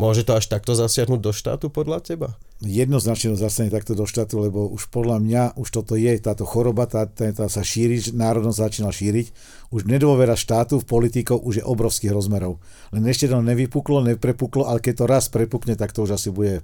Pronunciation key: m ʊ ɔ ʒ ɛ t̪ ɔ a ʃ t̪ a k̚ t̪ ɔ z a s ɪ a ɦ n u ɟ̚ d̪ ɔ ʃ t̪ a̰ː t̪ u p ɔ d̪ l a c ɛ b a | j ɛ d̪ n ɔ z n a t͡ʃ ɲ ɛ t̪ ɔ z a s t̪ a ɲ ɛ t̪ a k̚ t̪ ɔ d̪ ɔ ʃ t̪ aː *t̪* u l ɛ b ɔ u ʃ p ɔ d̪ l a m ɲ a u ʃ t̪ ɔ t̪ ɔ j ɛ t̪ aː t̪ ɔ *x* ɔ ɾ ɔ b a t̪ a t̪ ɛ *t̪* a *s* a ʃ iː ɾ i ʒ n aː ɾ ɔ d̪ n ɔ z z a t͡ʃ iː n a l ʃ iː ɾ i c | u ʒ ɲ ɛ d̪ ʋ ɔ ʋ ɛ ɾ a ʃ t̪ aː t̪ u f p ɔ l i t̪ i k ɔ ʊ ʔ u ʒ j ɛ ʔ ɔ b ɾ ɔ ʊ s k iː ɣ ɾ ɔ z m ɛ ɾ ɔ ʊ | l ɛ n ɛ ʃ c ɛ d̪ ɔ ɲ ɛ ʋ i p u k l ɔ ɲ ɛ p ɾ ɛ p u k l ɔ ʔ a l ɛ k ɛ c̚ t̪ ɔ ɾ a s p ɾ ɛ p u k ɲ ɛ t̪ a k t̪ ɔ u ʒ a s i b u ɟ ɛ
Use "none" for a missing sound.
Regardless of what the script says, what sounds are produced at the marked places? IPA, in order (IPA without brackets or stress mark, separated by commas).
t̪, x, t̪, s